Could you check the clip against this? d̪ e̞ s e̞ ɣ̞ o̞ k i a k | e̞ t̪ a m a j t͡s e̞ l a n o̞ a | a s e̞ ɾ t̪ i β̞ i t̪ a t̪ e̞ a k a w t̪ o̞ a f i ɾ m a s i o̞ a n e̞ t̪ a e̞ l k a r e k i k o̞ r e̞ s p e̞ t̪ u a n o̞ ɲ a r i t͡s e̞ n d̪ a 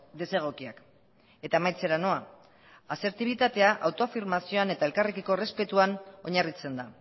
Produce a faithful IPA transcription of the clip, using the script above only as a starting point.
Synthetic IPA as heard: d̪ e̞ s e̞ ɣ̞ o̞ k i a k | e̞ t̪ a m a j t͡s e̞ ɾ a n o̞ a | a s e̞ ɾ t̪ i β̞ i t̪ a t̪ e̞ a ʔ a w t̪ o̞ a f i ɾ m a s i o̞ a n e̞ t̪ a e̞ l k a r e k i k o̞ r e̞ s p e̞ t̪ u a n o̞ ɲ a r i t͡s e̞ n d̪ a